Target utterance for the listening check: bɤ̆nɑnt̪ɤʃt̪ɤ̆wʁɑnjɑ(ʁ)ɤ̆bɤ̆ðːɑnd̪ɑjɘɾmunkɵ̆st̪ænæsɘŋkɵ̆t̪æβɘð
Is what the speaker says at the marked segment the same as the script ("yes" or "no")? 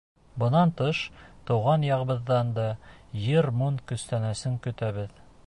yes